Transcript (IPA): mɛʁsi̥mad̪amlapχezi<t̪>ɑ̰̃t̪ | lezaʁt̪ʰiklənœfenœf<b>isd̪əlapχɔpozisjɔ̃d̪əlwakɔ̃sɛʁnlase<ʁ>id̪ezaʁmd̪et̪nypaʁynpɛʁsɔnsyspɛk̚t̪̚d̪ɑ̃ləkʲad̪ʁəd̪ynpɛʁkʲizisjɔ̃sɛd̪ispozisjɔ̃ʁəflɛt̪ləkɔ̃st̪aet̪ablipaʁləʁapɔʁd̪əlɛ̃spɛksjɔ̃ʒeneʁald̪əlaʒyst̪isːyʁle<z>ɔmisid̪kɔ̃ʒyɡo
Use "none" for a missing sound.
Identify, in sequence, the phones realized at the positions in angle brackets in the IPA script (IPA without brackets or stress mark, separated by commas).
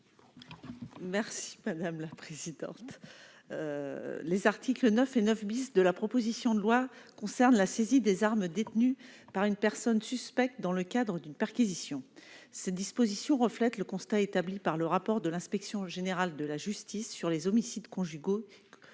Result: d̪, b, z, z